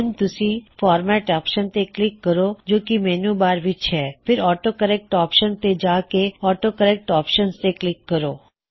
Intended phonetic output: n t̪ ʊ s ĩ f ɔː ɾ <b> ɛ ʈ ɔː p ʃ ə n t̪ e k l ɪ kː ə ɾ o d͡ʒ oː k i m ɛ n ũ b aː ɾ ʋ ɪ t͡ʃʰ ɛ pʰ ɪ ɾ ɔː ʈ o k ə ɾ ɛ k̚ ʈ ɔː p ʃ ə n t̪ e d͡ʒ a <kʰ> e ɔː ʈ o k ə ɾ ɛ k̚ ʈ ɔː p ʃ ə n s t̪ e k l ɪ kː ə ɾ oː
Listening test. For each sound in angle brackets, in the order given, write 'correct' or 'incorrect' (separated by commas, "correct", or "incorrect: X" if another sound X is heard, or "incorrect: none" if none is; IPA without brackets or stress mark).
incorrect: m, incorrect: k